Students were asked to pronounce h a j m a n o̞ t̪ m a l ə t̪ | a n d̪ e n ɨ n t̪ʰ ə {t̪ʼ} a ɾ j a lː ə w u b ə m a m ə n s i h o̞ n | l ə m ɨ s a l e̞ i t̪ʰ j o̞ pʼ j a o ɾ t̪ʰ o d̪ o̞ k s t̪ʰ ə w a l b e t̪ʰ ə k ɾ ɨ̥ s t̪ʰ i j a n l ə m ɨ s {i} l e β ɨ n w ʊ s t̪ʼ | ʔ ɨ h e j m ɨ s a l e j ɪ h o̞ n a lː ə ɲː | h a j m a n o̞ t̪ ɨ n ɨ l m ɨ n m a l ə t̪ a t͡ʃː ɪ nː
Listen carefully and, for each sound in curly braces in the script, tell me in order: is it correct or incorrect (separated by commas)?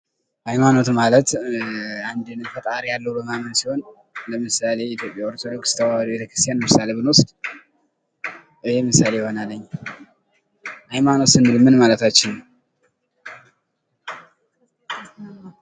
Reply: correct, incorrect